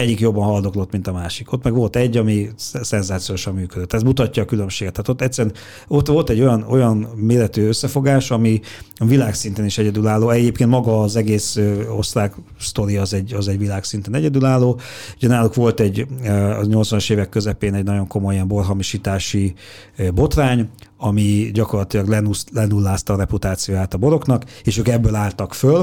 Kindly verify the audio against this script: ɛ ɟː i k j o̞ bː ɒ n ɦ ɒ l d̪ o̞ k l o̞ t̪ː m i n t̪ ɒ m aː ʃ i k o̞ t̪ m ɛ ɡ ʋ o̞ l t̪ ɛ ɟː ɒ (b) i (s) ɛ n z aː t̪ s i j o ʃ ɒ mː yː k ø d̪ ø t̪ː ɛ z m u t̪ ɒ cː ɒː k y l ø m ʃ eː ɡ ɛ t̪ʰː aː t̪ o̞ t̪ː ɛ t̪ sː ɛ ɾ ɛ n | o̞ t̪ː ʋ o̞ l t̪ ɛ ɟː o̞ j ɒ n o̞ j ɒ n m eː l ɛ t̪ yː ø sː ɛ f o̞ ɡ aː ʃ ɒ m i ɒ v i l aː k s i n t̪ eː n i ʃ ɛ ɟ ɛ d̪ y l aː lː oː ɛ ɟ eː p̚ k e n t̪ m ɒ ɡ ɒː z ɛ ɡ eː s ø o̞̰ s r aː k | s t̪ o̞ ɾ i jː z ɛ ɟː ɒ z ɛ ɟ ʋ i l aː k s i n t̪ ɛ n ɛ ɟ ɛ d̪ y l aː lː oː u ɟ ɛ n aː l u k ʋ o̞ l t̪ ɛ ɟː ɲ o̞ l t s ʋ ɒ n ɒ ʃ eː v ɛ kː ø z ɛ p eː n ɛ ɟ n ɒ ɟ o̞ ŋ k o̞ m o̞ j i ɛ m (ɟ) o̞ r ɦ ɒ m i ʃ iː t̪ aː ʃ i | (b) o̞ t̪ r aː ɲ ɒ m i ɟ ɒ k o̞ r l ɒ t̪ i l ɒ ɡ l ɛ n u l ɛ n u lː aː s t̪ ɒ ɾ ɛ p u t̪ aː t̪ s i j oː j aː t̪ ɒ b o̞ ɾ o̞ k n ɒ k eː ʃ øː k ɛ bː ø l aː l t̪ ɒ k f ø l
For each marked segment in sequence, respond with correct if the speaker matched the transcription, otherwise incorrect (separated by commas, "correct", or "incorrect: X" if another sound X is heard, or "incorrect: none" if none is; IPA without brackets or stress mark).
incorrect: m, correct, incorrect: b, correct